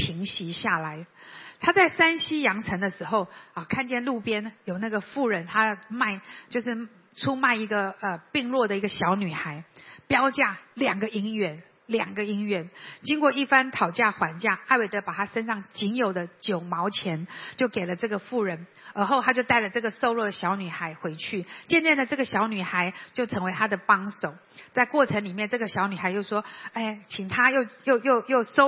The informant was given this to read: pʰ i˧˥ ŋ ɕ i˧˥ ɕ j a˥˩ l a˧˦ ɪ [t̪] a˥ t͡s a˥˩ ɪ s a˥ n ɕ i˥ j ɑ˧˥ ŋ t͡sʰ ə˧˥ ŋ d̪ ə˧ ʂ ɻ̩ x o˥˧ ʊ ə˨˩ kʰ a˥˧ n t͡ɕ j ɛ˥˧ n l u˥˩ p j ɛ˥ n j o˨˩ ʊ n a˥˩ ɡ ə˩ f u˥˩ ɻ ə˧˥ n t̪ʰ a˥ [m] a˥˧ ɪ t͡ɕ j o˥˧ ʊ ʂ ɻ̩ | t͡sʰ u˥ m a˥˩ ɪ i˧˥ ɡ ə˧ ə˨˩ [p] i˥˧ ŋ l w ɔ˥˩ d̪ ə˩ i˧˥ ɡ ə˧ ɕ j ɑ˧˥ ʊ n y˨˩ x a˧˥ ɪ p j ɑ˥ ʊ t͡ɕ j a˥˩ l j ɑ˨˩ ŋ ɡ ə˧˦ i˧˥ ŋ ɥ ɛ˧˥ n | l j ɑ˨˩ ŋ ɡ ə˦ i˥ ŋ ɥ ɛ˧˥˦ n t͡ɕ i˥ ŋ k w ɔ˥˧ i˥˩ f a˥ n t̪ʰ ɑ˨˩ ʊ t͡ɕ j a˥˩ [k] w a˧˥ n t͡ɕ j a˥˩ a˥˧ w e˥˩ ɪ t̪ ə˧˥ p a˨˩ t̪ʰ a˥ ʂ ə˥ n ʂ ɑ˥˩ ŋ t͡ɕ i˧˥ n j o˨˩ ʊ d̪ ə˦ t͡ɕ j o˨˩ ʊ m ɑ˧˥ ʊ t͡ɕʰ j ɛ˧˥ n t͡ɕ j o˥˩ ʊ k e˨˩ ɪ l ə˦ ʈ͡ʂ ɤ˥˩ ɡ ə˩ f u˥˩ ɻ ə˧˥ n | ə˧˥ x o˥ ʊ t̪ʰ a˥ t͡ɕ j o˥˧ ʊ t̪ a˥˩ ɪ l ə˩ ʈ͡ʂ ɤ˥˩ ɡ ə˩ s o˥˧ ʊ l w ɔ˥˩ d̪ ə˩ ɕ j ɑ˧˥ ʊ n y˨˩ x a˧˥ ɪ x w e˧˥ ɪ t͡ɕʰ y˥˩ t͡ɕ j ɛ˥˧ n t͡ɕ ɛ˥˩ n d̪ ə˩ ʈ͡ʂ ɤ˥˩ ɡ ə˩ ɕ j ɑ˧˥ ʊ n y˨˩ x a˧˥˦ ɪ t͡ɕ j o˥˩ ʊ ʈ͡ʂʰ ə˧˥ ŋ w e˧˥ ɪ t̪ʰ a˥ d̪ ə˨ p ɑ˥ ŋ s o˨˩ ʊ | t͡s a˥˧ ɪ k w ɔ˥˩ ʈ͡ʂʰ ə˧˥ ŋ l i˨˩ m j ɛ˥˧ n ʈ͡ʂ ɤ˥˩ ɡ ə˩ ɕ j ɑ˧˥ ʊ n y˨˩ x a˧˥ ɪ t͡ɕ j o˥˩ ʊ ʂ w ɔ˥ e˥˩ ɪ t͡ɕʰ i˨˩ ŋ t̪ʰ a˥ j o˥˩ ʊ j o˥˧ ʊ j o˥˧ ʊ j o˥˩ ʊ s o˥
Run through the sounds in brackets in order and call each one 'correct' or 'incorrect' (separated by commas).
incorrect, correct, correct, incorrect